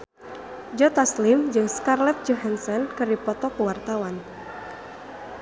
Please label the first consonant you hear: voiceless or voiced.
voiced